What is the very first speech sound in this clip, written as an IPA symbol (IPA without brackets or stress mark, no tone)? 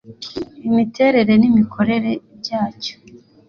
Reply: i